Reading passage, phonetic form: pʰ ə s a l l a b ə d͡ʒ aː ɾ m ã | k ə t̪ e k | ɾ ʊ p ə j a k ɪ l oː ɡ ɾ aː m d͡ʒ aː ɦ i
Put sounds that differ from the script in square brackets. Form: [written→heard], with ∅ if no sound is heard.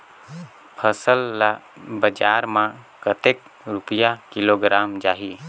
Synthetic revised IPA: pʰ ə s [a→ə] l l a b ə d͡ʒ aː ɾ m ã | k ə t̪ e k | ɾ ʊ p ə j a k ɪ l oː ɡ ɾ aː m d͡ʒ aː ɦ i

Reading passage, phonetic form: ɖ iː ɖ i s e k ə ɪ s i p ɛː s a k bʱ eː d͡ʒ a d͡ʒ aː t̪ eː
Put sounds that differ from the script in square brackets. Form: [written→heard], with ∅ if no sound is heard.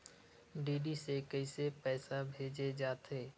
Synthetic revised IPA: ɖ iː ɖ i s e k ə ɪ s [i→e] p ɛː s a [k→∅] bʱ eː d͡ʒ [a→e] d͡ʒ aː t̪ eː

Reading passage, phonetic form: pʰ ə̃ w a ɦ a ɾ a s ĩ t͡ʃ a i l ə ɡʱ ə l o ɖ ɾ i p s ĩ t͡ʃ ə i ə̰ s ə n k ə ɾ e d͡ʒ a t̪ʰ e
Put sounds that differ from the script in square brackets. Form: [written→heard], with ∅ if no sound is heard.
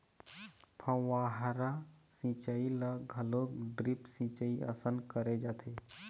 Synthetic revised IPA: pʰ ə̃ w a ɦ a ɾ a s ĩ t͡ʃ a i l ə ɡʱ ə l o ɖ ɾ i p s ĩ t͡ʃ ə i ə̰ s ə n k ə ɾ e d͡ʒ a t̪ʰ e

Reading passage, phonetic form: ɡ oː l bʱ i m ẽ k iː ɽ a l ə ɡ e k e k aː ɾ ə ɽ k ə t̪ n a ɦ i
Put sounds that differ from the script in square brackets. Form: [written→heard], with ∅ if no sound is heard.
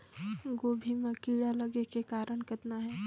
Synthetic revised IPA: ɡ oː [l→∅] bʱ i m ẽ k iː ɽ a l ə ɡ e k e k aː ɾ ə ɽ k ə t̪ n a ɦ [i→ɛ]

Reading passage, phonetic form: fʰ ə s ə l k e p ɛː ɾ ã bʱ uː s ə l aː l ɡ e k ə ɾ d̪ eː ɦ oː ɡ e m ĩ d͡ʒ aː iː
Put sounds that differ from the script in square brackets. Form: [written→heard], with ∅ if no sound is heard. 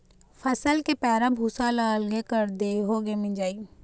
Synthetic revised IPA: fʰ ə s ə l k e p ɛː ɾ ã bʱ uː s [ə→a] l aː l ɡ e k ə ɾ d̪ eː ɦ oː ɡ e m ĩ d͡ʒ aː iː

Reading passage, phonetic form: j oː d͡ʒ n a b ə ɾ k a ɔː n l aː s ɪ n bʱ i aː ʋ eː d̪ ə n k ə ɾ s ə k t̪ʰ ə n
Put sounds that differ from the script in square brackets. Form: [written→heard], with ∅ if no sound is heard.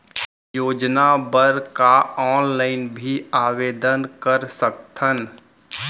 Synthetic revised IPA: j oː d͡ʒ n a b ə ɾ k a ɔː n l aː [s→∅] ɪ n bʱ i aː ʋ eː d̪ ə n k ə ɾ s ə k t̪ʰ ə n

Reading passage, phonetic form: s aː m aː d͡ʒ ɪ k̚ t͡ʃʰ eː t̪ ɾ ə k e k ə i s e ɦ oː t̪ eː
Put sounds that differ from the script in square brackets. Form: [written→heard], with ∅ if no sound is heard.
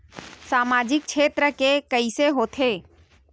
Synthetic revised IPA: s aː m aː d͡ʒ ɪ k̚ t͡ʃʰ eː t̪ ɾ ə k e k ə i s e ɦ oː [t̪→t̪ʰ] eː

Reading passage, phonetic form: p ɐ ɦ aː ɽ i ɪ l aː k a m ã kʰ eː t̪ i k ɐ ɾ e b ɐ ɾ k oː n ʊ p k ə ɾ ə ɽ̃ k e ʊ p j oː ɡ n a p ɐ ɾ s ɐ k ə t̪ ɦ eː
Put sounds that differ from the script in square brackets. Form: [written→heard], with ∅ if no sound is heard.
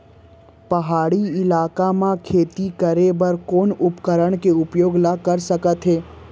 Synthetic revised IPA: p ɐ ɦ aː ɽ i ɪ l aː k a m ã kʰ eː t̪ i k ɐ ɾ e b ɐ ɾ k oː n ʊ p k ə ɾ ə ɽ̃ k e ʊ p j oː ɡ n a [p→k] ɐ ɾ s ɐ k ə t̪ ɦ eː

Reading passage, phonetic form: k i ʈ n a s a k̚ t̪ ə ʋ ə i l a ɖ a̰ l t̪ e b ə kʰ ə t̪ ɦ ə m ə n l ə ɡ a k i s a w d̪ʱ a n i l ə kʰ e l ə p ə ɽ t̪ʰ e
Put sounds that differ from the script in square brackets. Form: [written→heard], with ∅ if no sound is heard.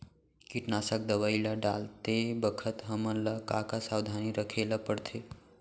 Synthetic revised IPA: k i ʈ n a s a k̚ [t̪→d̪] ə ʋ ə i l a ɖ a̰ l t̪ e b ə kʰ ə t̪ ɦ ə m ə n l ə [ɡ→k] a k [i→a] s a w d̪ʱ a n i [l→ɾ] ə kʰ e l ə p ə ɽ t̪ʰ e

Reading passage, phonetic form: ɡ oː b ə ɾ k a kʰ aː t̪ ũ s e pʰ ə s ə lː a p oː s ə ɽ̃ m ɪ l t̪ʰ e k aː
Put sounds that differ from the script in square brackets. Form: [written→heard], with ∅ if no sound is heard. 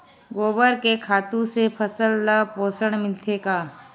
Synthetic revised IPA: ɡ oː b ə ɾ k [a→e] kʰ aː t̪ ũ s e pʰ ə s ə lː a p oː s ə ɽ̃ m ɪ l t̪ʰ e k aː

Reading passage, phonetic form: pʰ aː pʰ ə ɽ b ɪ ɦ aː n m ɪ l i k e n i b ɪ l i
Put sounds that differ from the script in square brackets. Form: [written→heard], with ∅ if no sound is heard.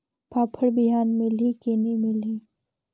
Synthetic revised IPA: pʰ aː pʰ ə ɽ b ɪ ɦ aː n m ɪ l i k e n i [b→m] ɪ l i

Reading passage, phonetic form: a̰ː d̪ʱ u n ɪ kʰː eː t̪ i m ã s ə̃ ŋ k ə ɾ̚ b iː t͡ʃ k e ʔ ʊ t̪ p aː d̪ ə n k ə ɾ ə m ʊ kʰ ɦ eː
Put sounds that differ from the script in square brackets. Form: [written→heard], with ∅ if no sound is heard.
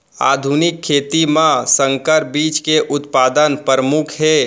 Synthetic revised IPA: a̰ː d̪ʱ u n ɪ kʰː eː t̪ i m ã s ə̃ ŋ k ə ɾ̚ b iː t͡ʃ k e ʔ ʊ t̪ p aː d̪ ə n [k→p] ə ɾ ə m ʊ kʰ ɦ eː

